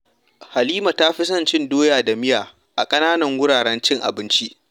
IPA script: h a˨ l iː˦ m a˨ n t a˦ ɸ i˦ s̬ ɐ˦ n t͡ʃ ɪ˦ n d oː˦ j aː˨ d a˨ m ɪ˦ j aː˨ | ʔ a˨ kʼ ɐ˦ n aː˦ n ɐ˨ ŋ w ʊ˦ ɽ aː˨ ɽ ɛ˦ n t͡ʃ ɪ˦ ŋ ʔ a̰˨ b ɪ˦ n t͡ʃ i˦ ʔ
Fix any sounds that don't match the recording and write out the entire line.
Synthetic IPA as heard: h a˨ l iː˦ m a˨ t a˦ ɸ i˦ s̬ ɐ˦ n t͡ʃ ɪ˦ n d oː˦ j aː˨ d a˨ m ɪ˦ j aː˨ | ʔ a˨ kʼ ɐ˦ n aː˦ n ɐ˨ ŋ w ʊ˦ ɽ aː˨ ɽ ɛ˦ n t͡ʃ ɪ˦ ŋ ʔ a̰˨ b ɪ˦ n t͡ʃ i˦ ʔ